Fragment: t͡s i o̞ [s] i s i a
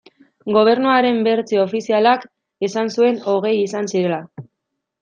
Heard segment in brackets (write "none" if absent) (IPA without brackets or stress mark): f